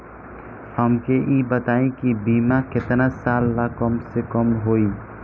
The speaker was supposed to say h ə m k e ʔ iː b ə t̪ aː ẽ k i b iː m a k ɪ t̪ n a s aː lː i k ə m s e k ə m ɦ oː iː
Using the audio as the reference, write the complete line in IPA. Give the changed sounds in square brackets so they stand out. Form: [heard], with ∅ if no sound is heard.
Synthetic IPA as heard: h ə m k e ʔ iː b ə t̪ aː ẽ k i b iː m a k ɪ t̪ n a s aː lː [a] k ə m s e k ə m ɦ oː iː